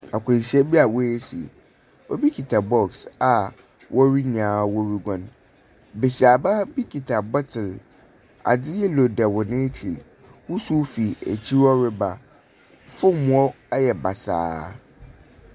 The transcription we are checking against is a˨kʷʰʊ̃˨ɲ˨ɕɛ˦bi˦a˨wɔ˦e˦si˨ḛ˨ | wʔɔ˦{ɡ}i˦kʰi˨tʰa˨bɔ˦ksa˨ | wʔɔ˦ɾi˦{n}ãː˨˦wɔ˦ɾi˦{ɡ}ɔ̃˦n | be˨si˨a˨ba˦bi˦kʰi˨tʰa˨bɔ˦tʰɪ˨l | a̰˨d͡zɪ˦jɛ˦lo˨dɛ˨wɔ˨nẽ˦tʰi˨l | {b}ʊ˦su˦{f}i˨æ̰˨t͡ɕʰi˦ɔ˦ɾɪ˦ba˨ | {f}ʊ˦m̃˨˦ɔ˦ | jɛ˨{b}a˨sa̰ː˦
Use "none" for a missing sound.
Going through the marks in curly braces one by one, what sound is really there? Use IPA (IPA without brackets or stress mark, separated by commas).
b, ɲ, ɡ, w, f, f, b